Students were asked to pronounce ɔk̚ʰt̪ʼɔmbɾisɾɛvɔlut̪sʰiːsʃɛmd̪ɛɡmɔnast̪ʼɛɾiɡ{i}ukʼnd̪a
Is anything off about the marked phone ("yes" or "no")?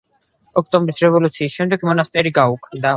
yes